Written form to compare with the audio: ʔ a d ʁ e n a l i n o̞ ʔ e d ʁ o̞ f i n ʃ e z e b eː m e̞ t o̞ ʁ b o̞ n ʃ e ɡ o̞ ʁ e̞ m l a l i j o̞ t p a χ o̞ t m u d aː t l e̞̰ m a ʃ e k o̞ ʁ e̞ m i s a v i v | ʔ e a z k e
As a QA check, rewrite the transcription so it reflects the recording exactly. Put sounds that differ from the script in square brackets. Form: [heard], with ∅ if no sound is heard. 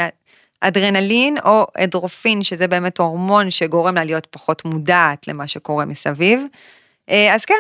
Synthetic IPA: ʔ a d ʁ e n a l i n o̞ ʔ e d ʁ o̞ f i n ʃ e z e b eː m e̞ t o̞ ʁ [m] o̞ n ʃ e ɡ o̞ ʁ e̞ m l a l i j o̞ t p a χ o̞ t m u d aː t l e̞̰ m a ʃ e k o̞ ʁ e̞ m i s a v i v | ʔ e a z k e